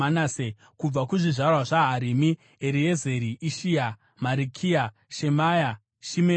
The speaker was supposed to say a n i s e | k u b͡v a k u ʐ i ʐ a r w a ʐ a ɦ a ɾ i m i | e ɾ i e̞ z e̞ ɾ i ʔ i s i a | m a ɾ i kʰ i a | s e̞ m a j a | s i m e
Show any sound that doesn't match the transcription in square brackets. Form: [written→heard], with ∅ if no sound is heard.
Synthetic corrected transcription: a n [i→a] s e | k u b͡v a k u ʐ i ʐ a r w a ʐ a ɦ a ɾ i m i | e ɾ i e̞ z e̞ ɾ i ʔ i [s→ʃ] i a | m a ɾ i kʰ i a | [s→ʃ] e̞ m a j a | [s→ʃ] i m e